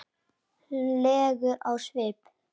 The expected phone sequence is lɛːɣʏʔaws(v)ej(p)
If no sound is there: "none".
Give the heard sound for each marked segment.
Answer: v, p

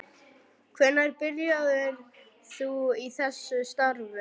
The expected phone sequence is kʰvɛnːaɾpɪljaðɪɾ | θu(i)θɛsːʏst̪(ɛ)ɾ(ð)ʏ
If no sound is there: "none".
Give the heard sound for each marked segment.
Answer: i, a, v

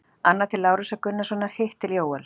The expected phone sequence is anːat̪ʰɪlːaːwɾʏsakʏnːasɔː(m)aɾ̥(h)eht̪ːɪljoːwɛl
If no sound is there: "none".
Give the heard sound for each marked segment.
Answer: n, h

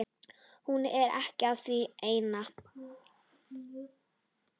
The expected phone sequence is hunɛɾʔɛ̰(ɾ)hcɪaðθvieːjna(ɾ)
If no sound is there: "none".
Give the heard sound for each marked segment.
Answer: none, none

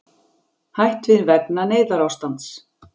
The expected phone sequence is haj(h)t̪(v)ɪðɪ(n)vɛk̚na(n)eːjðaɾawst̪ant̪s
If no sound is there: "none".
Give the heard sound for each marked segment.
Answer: h, v, n, n

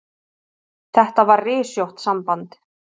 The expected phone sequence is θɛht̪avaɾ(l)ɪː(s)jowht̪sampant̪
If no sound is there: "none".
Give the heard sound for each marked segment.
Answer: r, s

